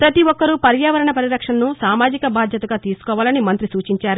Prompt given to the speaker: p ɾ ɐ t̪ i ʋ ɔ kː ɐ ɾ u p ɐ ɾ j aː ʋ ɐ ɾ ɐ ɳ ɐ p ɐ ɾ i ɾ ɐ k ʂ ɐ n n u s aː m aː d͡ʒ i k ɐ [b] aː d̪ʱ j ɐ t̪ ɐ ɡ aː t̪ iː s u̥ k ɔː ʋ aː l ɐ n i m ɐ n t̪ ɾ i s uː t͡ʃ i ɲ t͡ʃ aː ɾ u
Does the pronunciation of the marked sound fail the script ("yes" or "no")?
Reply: no